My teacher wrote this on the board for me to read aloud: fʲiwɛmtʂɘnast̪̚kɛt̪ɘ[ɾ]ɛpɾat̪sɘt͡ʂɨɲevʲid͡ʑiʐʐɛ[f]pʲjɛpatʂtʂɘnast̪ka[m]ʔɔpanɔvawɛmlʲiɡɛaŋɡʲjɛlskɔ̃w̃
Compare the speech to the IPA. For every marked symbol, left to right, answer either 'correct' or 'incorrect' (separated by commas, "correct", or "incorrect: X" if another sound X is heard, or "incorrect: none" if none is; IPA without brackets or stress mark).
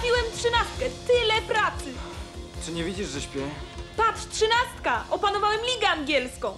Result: incorrect: l, incorrect: ɕ, incorrect: none